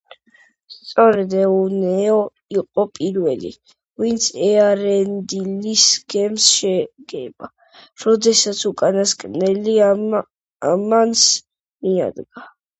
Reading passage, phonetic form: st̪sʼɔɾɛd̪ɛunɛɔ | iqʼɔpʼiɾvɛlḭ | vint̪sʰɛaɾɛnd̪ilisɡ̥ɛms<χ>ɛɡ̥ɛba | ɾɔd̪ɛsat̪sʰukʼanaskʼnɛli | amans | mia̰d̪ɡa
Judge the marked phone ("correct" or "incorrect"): incorrect